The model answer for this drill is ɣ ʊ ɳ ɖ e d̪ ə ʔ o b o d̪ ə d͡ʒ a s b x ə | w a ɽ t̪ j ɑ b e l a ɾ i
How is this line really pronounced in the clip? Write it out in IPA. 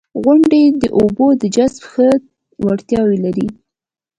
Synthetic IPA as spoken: ɣ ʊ ɳ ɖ e d̪ ə ʔ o b o d̪ ə d͡ʒ a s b x ə | w a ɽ t̪ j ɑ w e l a ɾ i